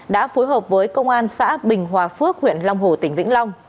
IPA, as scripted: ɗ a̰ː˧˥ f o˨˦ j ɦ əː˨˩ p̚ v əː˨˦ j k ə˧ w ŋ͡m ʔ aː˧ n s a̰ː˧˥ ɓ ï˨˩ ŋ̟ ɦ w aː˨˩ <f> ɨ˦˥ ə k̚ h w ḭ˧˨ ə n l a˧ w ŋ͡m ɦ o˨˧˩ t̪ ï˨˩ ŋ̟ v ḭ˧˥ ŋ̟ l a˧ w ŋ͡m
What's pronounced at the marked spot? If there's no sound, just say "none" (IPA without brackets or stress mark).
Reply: f